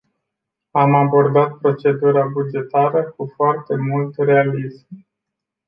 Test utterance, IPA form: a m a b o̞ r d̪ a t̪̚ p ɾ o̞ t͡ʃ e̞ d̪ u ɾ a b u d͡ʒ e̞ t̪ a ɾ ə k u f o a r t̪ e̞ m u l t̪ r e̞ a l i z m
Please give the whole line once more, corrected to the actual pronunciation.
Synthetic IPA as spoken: a m a b o̞ r d̪ a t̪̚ p ɾ o̞ t͡ʃ e̞ d̪ u ɾ a b u d͡ʒ e̞ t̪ a ɾ ə k u f o a r t̪ e̞ m u l t̪ r e̞ a l i z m